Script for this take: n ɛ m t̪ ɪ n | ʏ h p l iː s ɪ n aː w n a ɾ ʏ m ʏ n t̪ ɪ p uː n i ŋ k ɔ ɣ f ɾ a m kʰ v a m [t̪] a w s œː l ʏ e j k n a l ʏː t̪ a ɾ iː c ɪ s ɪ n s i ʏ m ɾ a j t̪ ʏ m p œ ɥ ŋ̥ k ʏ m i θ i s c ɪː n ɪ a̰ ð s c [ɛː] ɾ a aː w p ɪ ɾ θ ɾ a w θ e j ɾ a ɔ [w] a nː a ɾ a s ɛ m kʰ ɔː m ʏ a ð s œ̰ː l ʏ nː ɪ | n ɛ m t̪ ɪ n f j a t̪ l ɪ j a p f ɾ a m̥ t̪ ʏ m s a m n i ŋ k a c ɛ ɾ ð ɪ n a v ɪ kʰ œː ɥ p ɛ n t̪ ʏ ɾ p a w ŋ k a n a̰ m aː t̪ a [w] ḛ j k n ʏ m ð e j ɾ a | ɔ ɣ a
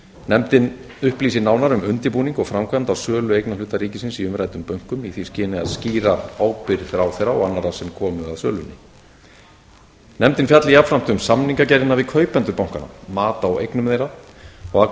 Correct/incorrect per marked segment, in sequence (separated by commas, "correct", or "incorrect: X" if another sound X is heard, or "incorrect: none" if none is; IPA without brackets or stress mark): correct, incorrect: iː, incorrect: ɣ, correct